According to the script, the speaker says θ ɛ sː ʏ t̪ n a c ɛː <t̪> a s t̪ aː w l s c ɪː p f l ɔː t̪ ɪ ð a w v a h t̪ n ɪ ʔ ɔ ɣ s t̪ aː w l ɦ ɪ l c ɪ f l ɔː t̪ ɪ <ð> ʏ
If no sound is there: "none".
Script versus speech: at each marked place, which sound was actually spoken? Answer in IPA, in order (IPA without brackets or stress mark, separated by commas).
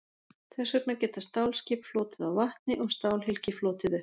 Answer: t̪, ð